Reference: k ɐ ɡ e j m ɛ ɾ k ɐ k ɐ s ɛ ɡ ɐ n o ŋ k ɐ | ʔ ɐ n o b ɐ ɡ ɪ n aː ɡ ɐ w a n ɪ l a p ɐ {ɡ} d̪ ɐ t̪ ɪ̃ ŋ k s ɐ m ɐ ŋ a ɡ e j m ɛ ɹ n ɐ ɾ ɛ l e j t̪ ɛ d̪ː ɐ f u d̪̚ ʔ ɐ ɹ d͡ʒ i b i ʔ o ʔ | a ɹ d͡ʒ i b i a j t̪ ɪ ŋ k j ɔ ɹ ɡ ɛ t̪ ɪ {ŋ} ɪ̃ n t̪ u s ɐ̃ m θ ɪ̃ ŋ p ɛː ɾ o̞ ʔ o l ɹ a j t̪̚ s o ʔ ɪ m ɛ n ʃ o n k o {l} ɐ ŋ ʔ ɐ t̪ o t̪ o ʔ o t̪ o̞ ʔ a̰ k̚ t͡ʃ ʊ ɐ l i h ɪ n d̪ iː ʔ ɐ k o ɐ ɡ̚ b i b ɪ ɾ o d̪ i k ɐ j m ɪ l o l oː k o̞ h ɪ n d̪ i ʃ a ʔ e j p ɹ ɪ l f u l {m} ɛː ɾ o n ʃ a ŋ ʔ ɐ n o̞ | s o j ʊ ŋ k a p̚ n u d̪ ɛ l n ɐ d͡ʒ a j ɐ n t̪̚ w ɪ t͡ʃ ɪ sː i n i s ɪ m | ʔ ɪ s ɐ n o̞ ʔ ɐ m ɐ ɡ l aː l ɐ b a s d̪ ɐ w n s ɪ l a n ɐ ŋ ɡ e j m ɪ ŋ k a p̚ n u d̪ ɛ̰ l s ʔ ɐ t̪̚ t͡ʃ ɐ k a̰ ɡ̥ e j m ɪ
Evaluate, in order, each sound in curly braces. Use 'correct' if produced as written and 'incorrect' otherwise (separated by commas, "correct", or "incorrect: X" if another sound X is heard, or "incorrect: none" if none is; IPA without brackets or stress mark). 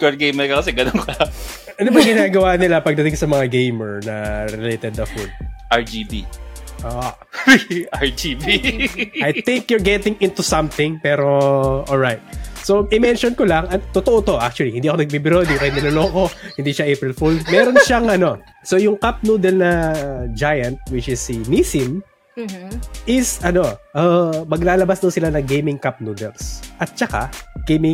correct, correct, correct, correct